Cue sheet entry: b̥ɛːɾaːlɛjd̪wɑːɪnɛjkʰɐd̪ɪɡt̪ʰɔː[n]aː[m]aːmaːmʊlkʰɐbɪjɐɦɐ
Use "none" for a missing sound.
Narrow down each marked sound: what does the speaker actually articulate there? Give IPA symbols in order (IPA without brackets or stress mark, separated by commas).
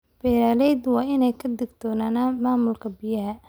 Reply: n, n